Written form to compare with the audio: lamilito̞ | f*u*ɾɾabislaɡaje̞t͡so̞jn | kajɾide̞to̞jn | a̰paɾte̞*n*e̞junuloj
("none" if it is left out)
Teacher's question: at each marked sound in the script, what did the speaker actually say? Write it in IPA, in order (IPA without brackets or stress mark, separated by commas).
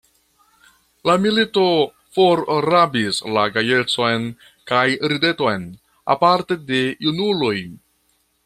o, d